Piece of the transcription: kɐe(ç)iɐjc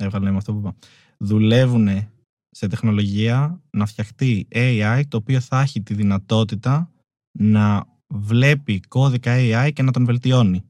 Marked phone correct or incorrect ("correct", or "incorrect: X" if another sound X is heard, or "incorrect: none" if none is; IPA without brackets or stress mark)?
incorrect: none